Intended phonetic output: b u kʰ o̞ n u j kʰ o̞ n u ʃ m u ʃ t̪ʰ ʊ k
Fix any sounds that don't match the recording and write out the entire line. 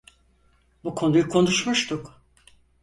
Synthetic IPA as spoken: b u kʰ o̞ n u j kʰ o̞ n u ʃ m u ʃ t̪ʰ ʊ k